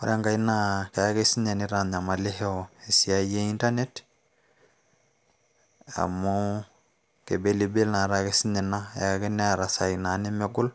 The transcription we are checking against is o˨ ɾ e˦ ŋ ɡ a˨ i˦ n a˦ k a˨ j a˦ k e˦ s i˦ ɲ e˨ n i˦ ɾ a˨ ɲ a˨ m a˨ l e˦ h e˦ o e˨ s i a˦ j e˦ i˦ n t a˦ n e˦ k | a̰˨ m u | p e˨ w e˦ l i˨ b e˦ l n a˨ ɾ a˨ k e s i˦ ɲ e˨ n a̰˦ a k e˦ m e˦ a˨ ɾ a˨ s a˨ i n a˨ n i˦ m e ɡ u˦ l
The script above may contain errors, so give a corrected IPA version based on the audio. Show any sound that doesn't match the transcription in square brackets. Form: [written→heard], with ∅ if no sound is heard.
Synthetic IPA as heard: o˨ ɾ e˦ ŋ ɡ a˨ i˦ n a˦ k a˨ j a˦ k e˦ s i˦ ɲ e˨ n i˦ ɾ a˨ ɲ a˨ m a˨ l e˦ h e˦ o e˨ s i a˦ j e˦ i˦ n t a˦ n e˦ [k→t] | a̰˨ m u | [p→k] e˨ [w→b] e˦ l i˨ b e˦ l n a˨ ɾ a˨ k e s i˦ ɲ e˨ n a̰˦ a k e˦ [m→n] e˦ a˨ ɾ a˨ s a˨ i n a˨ n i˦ m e ɡ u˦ l